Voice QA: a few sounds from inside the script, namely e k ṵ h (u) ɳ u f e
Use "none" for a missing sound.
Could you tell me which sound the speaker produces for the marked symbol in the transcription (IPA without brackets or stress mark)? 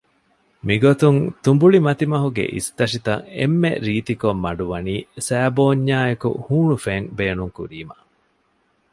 uː